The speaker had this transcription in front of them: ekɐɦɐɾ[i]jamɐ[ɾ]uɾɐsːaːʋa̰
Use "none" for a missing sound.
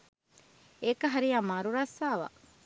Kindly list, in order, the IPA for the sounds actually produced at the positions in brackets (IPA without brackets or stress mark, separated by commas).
i, ɾ